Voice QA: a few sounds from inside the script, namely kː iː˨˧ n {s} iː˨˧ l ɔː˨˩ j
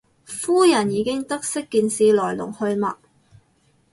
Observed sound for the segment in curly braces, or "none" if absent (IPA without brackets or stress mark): s